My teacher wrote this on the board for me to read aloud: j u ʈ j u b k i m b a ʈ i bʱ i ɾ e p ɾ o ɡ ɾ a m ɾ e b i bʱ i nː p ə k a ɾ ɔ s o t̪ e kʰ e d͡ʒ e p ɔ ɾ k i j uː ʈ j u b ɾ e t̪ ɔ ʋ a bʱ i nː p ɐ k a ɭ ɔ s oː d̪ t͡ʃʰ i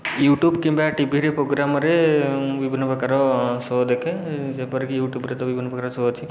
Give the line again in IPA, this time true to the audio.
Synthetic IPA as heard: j u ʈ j u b k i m b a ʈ i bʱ i ɾ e p ɾ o ɡ ɾ a m ɾ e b i bʱ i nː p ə k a ɾ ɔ s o d̪ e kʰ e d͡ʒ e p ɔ ɾ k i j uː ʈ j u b ɾ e t̪ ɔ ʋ i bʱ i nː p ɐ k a ɾ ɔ s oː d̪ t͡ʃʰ i

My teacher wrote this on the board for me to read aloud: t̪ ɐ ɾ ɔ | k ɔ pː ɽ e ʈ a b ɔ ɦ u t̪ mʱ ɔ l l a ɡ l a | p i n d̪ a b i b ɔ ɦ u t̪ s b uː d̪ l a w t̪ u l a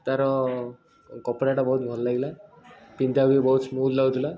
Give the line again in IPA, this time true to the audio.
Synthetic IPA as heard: t̪ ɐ ɾ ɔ | k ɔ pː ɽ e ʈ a b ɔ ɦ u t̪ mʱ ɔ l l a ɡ l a | p i n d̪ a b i b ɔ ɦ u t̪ s m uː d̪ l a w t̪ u l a

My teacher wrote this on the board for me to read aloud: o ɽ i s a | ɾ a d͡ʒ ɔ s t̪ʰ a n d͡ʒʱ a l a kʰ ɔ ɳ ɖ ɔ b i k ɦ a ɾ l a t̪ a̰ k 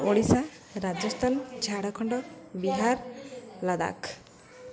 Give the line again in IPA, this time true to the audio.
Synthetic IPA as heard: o ɽ i s a | ɾ a d͡ʒ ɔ s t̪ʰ a n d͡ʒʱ a ɽ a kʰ ɔ ɳ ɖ ɔ b i ɦ a ɾ l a d̪ a̰ k

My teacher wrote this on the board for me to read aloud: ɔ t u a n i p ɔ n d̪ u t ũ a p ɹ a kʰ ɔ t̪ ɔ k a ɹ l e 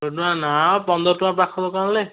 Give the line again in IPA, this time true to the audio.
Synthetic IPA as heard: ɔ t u a n a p ɔ n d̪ ɔ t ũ a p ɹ a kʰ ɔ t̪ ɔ k a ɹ l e

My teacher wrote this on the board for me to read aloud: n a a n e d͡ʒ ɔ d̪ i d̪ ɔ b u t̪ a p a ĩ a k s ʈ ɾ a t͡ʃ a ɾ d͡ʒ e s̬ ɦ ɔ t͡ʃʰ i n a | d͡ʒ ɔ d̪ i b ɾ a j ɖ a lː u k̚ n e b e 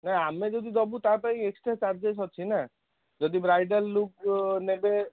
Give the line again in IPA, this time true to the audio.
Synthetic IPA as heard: n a a m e d͡ʒ ɔ d̪ i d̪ ɔ b u t̪ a p a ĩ e k s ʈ ɾ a t͡ʃ a ɾ d͡ʒ e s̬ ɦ ɔ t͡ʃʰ i n a | d͡ʒ ɔ d̪ i b ɾ a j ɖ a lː u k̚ n e b e

